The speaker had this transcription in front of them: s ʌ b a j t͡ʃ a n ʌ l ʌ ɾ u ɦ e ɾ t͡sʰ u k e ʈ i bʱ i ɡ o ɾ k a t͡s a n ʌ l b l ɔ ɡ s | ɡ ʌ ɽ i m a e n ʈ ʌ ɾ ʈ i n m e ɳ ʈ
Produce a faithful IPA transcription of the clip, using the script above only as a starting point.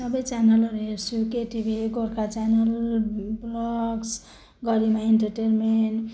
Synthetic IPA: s ʌ b ʌ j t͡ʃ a n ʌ l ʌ ɾ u ɦ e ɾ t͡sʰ u k e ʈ i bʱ i ɡ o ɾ k a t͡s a n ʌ l b l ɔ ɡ s | ɡ ʌ ɾ i m a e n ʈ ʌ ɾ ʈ e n m e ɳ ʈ